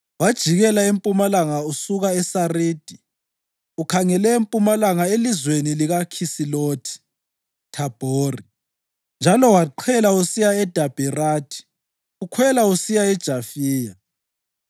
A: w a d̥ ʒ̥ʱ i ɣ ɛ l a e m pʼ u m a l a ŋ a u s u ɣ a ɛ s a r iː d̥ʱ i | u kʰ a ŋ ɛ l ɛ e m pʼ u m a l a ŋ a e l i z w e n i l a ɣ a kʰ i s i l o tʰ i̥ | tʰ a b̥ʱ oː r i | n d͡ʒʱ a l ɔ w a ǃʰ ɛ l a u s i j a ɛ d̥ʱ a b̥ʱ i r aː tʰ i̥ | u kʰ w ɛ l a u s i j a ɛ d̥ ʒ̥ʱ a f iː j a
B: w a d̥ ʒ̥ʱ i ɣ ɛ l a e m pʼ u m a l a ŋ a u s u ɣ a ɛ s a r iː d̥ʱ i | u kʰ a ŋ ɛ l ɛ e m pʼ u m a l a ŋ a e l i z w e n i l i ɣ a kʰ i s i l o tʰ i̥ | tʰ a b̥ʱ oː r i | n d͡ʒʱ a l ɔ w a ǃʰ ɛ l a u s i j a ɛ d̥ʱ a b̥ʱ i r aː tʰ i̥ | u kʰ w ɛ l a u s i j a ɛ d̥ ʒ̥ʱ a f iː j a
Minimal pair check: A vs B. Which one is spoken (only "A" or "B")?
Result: B